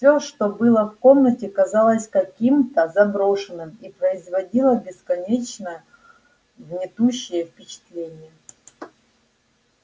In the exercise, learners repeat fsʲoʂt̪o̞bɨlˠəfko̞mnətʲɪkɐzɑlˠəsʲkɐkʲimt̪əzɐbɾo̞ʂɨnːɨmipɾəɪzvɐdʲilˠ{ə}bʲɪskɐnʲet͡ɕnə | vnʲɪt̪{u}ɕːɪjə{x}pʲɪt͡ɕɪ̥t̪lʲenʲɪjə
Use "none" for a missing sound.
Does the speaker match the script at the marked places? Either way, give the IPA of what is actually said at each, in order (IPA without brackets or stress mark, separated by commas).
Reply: ə, u, f